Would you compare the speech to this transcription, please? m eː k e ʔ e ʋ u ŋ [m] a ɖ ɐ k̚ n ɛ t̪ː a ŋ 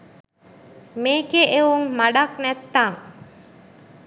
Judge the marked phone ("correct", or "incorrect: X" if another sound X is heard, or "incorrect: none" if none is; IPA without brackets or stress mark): correct